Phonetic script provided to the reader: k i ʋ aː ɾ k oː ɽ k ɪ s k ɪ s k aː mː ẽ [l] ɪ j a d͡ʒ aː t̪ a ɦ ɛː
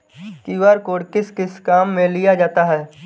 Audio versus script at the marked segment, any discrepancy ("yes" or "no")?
no